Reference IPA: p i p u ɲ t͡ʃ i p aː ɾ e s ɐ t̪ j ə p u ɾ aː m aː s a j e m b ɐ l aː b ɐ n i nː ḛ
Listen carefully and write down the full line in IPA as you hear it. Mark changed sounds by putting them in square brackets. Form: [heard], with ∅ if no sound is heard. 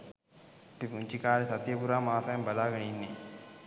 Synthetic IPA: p i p u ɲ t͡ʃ i [k] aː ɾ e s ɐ t̪ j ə p u ɾ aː m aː s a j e m b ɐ l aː [ɡ] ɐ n i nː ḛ